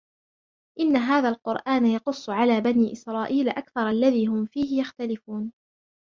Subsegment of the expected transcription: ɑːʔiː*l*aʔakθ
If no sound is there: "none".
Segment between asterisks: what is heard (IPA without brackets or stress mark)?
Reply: l